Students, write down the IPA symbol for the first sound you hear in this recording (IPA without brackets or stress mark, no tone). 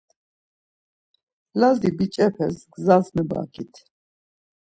l